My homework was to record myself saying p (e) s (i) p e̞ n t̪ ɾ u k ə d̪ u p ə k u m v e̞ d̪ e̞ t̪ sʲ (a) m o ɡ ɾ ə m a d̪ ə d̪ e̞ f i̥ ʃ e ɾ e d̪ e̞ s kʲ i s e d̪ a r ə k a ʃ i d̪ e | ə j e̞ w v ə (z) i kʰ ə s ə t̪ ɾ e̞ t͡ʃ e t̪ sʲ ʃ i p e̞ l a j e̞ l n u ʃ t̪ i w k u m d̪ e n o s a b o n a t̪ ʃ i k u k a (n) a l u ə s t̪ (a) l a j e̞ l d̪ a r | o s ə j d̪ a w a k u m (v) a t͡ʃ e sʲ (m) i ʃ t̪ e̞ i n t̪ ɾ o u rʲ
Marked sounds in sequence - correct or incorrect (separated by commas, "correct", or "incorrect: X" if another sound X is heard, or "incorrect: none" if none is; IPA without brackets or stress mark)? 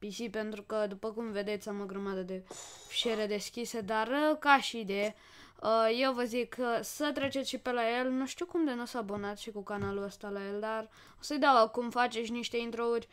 incorrect: i, correct, correct, correct, correct, correct, incorrect: f, incorrect: n